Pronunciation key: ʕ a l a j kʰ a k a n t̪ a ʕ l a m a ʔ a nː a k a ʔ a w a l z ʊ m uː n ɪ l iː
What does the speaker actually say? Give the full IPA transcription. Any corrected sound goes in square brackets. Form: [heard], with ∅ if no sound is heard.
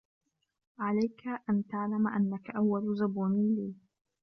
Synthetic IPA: ʕ a l a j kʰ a [ʔ] a n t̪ a ʕ l a m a ʔ a nː a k a ʔ a [wː] a l z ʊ [b] uː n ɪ l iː

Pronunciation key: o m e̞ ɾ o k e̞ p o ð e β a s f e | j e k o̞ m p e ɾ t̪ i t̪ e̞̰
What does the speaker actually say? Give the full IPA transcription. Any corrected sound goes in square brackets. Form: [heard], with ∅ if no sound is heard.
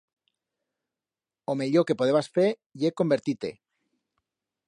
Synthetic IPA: o m e̞ [ʎ] o k e̞ p o ð e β a s f e | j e k o̞ m [b] e ɾ t̪ i t̪ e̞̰

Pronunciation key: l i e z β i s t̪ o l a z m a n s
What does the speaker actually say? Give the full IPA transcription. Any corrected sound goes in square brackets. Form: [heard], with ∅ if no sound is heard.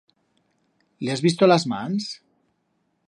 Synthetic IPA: l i [a] z β i s t̪ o l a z m a n s

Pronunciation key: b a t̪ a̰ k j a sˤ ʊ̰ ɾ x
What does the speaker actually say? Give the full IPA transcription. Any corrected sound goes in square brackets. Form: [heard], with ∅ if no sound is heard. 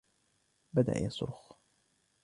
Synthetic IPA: b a [d̪] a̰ [ʔ] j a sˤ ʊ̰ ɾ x

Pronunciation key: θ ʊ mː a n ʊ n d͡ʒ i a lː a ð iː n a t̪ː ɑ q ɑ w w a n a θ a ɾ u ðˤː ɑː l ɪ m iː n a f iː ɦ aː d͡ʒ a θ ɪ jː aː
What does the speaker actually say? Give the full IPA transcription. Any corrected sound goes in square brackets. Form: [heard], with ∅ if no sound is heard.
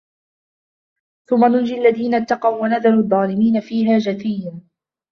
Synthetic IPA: θ ʊ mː a n ʊ n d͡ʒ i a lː a ð iː n a t̪ː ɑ q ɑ w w a n a [ð] a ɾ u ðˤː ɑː l ɪ m iː n a f iː ɦ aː d͡ʒ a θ ɪ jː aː

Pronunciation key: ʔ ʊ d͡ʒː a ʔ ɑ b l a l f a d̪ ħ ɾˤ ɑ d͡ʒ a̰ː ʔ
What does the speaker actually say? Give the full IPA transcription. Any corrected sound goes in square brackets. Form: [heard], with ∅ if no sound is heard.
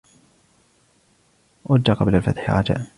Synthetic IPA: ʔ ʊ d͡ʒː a [q] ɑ b l a l f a [t̪] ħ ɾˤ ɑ d͡ʒ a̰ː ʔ

